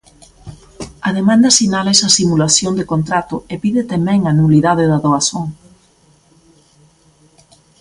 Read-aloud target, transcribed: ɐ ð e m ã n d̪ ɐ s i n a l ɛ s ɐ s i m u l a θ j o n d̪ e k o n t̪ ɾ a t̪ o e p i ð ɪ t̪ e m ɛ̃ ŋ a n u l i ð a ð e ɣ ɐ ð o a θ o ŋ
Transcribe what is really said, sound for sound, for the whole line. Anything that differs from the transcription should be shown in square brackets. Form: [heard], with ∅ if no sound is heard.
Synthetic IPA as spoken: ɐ ð e m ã n d̪ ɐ s i n a l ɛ s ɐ s i m u l a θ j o n d̪ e k o n t̪ ɾ a t̪ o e p i ð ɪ t̪ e m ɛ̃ ŋ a n u l i ð a ð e [ð] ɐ ð o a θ o ŋ